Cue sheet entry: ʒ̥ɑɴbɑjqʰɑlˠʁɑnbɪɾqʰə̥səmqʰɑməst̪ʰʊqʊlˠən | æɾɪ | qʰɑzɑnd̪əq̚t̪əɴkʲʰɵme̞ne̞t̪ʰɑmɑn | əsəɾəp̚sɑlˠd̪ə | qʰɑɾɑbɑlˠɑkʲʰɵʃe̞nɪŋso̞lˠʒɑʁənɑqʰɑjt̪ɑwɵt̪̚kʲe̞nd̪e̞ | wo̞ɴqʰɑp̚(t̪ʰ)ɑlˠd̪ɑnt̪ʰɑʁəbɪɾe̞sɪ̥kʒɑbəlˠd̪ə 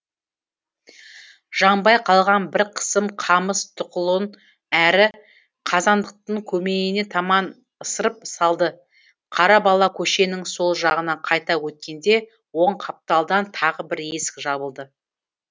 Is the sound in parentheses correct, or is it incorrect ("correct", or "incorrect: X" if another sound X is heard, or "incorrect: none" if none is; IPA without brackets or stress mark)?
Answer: incorrect: t̪